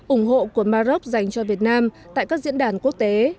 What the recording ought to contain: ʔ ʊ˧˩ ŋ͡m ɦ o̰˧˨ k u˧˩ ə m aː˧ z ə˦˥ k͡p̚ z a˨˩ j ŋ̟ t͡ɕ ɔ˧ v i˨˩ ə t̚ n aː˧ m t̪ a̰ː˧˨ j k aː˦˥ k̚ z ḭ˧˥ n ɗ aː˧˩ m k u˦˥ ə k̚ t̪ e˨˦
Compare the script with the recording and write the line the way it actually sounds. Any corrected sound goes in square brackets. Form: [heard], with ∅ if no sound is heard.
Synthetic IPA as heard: ʔ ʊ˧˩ ŋ͡m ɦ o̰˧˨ k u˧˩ ə m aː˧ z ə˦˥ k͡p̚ z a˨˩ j ŋ̟ t͡ɕ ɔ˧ v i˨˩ ə t̚ n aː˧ m t̪ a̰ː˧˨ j k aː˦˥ k̚ z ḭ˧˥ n ɗ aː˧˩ [n] k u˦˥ ə k̚ t̪ e˨˦